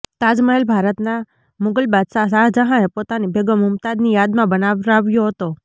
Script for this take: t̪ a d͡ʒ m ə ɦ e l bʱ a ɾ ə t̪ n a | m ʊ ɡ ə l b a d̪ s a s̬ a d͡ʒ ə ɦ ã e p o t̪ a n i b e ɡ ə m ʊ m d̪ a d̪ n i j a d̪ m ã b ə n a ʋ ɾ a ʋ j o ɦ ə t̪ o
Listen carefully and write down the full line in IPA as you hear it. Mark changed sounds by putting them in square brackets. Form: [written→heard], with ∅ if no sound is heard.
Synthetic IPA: t̪ a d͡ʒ m ə ɦ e l bʱ a ɾ ə t̪ n a | m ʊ ɡ ə l b a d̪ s a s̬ a d͡ʒ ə ɦ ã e p o t̪ a n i b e ɡ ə m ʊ m [d̪→t̪] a d̪ n i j a d̪ m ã b ə n a ʋ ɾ a ʋ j o ɦ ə t̪ o